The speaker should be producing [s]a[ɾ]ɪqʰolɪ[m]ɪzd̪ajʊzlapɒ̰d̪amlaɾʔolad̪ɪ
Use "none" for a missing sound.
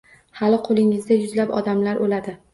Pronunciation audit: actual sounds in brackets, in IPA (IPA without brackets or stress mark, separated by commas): h, l, ŋ